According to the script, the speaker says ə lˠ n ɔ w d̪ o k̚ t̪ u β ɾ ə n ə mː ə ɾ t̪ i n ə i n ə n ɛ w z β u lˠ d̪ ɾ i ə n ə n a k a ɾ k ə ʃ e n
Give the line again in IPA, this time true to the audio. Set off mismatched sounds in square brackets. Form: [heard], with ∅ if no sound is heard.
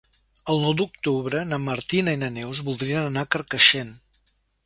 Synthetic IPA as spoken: ə lˠ n ɔ w d̪ [u] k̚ t̪ u β ɾ ə n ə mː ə ɾ t̪ i n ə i n ə n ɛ w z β u lˠ d̪ ɾ i ə n ə n a k [ə] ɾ k ə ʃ e n